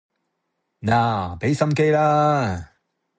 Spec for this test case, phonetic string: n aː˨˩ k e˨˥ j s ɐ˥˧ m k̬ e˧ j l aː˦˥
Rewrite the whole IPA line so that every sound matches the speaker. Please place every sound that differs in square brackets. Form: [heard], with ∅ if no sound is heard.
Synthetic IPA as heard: n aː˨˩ [p] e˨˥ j s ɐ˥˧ m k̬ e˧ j l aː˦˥